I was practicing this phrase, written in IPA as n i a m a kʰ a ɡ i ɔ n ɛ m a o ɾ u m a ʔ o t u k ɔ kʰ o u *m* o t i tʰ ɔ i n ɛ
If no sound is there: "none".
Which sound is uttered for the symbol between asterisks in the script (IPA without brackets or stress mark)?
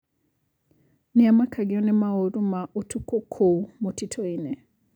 m